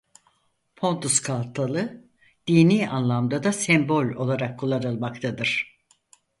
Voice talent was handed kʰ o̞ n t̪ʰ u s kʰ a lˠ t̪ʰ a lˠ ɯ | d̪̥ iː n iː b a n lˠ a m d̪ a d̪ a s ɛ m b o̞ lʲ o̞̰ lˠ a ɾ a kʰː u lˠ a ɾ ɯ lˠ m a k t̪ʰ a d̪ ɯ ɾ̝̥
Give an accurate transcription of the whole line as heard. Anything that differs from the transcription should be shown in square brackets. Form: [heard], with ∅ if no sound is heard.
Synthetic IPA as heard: [pʰ] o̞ n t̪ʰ u s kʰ a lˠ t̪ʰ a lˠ ɯ | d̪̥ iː n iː [∅] a n lˠ a m d̪ a d̪ a s ɛ m b o̞ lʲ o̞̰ lˠ a ɾ a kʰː u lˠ a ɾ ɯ lˠ m a k t̪ʰ a d̪ ɯ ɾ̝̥